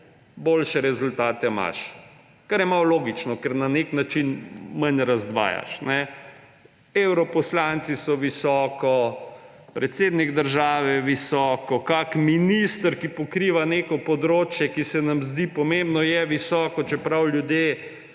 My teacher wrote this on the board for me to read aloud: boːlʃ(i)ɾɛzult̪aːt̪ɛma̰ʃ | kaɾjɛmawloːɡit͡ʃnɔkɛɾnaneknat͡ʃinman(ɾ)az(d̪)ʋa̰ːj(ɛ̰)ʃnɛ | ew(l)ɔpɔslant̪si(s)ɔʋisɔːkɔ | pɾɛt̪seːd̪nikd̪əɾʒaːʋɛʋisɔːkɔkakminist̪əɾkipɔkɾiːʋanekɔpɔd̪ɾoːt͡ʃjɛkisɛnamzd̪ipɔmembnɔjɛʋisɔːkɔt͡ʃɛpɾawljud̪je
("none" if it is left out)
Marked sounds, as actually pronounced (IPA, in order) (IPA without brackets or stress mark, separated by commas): ɛ, ɾ, d̪, a̰, ɾ, s